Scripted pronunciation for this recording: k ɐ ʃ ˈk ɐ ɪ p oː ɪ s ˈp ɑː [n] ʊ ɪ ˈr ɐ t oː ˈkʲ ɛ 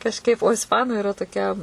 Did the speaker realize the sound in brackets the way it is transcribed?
yes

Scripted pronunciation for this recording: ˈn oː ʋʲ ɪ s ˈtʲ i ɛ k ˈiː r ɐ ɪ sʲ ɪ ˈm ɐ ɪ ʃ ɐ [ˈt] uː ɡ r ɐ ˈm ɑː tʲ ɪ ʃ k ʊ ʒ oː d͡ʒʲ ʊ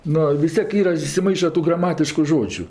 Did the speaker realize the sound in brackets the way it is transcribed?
yes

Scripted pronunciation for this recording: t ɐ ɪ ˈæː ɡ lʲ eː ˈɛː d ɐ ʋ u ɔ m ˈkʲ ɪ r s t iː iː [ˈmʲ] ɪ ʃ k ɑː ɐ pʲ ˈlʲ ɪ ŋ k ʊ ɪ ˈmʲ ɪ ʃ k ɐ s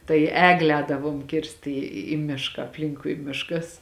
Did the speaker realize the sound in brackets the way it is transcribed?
yes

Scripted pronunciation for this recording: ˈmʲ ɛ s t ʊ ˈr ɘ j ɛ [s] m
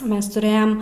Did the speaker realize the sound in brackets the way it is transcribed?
no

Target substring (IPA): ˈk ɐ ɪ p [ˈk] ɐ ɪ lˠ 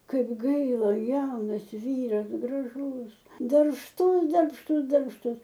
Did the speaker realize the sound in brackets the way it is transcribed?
no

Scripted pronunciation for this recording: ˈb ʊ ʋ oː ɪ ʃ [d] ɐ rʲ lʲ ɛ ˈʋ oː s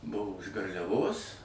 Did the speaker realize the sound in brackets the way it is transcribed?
no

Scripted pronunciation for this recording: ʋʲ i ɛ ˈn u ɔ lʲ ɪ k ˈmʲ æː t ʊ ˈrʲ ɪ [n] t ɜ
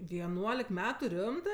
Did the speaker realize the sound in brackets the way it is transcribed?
no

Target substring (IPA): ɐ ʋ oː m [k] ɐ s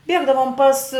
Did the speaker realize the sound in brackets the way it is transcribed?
no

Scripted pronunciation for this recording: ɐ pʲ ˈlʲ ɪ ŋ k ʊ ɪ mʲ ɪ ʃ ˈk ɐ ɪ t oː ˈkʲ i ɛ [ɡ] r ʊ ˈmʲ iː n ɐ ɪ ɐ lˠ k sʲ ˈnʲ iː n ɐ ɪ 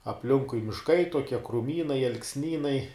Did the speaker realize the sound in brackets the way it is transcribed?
no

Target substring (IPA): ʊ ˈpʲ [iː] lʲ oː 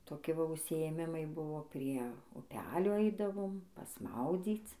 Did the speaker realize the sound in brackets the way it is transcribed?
no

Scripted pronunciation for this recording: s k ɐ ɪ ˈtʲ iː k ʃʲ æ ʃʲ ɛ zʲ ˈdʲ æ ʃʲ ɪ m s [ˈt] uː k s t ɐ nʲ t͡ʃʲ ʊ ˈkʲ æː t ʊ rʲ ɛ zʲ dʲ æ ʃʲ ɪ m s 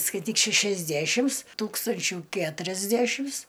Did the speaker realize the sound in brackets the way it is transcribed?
yes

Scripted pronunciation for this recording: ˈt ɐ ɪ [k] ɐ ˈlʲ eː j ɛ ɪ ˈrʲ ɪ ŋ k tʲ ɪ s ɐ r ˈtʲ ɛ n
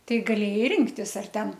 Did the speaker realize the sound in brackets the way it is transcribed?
no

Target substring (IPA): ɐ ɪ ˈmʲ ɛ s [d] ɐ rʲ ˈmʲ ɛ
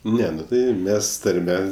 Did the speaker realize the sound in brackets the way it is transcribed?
no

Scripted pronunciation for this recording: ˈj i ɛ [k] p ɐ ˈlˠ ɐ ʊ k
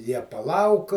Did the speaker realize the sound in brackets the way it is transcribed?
no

